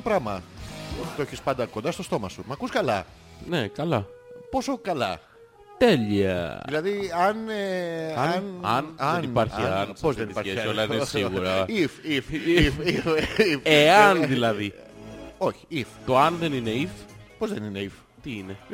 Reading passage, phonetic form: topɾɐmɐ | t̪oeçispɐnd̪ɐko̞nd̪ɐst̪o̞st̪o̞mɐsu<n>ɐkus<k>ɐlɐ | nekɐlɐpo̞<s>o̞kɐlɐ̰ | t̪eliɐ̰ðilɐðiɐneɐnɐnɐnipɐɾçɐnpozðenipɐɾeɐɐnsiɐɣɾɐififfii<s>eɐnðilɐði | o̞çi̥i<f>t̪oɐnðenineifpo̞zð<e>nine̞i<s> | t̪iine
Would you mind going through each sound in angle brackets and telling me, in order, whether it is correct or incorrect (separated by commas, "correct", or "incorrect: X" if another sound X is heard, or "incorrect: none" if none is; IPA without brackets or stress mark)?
incorrect: m, correct, correct, incorrect: f, correct, correct, incorrect: f